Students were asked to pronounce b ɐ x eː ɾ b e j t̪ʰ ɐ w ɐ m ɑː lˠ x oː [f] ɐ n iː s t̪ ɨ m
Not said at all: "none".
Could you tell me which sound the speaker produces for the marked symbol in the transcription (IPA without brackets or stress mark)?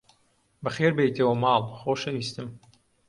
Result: ʃ